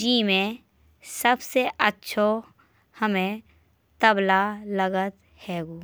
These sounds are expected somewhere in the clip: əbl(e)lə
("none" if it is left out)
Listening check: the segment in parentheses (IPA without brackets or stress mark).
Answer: a